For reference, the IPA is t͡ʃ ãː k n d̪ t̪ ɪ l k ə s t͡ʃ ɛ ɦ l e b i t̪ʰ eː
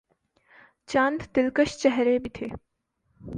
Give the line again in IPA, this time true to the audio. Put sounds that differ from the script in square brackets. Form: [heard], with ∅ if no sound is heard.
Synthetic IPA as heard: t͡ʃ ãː [∅] n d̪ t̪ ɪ l k ə [ʃ] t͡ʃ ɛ ɦ [ɾ] e b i t̪ʰ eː